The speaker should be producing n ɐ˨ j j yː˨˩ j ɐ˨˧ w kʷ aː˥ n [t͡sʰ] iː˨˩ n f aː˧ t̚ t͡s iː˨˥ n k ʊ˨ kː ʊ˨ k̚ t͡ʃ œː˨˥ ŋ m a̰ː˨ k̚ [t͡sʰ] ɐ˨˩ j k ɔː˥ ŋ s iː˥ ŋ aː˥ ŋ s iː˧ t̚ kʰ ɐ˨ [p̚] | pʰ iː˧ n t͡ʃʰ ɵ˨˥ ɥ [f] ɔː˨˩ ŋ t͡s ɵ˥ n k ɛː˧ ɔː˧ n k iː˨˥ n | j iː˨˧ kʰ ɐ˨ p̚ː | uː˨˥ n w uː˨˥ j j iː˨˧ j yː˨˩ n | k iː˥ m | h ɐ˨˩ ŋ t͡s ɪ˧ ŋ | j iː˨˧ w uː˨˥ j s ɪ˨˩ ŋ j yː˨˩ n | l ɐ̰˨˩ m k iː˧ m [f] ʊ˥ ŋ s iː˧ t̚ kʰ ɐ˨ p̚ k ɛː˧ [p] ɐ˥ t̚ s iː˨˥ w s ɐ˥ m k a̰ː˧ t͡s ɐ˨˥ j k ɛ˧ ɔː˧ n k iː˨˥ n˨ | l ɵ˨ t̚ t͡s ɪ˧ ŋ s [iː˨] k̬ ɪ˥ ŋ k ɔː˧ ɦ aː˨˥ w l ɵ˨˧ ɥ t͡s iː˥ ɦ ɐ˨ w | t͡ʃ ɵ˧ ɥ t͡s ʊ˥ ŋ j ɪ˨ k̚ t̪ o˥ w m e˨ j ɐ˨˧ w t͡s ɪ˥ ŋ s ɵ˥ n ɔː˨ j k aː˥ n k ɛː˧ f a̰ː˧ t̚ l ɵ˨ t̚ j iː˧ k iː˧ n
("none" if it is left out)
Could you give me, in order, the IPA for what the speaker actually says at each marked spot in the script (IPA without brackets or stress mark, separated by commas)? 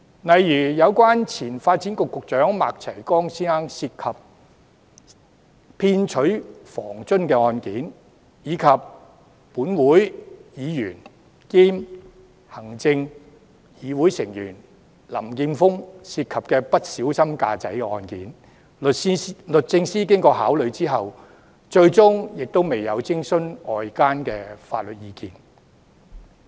t͡sʰ, t͡sʰ, p̚, f, f, p, iː˥